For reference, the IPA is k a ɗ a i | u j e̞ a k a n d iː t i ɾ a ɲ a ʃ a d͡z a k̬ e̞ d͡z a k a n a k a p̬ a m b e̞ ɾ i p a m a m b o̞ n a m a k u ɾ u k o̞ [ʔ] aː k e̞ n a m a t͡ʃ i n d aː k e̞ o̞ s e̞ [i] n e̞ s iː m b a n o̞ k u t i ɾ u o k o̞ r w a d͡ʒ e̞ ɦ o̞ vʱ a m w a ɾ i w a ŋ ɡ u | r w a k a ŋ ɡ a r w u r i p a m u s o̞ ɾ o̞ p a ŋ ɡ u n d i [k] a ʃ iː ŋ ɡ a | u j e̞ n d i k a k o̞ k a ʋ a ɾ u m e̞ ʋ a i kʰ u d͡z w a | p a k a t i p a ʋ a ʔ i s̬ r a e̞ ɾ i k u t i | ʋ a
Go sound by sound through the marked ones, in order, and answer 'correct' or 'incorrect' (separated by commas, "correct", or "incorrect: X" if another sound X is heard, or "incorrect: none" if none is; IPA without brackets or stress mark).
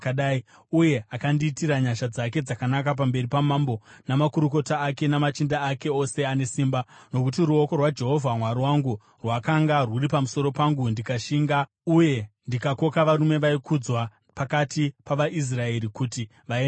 incorrect: t, incorrect: a, correct